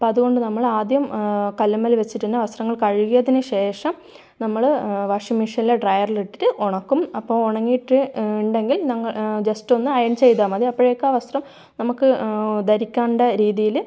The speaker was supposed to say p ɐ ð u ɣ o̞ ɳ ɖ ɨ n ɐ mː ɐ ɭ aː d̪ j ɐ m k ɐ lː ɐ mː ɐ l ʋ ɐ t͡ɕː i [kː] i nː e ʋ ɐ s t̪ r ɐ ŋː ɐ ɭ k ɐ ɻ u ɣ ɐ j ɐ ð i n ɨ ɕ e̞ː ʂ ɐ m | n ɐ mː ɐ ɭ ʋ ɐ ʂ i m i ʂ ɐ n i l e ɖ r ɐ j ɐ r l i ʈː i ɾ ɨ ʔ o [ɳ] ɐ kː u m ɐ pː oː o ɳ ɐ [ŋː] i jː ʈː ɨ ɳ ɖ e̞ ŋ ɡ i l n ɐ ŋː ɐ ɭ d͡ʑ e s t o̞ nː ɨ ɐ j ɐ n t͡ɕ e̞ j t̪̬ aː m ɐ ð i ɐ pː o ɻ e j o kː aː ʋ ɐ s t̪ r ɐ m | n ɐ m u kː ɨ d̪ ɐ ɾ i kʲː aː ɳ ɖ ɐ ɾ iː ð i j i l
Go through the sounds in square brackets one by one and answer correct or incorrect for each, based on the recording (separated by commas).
incorrect, correct, correct